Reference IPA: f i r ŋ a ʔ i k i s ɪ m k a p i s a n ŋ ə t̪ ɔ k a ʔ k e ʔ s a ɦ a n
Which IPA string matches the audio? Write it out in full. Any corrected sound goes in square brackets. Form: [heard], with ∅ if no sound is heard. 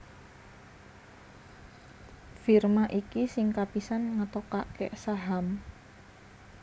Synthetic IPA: f i r [m] a ʔ i k i s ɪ [ŋ] k a p i s a n ŋ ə t̪ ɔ k a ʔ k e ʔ s a ɦ a [m]